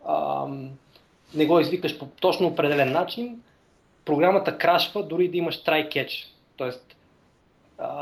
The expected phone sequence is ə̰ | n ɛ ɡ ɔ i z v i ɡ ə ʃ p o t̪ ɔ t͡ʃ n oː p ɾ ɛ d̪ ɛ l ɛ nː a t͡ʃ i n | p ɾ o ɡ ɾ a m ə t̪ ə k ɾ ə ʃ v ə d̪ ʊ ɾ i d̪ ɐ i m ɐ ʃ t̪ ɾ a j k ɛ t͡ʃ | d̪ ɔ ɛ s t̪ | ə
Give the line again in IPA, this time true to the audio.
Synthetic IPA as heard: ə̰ | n ɛ ɡ ɔ i z v i k ə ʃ p o t̪ ɔ t͡ʃ n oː p ɾ ɛ d̪ ɛ l ɛ nː a t͡ʃ i n | p ɾ o ɡ ɾ a m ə t̪ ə k ɾ a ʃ v ə d̪ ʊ ɾ i d̪ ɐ i m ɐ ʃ t̪ ɾ a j k ɛ t͡ʃ | t̪ ɔ ɛ s t̪ | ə